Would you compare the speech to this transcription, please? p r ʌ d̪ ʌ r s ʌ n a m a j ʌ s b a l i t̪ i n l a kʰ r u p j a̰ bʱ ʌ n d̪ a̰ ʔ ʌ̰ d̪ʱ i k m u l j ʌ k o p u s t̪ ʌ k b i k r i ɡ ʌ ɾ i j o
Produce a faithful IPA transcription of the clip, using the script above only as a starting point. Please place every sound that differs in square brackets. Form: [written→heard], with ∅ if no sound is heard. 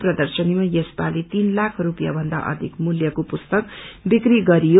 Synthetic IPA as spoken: p r ʌ d̪ ʌ r s ʌ n [a→i] m a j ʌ s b a l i t̪ i n l a kʰ r u p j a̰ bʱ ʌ n d̪ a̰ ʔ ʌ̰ d̪ʱ i k m u l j ʌ k o p u s t̪ ʌ k b i k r i ɡ ʌ ɾ i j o